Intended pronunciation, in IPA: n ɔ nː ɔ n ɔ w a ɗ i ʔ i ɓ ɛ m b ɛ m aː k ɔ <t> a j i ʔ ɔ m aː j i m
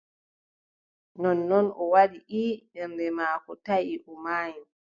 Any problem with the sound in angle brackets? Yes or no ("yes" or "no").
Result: no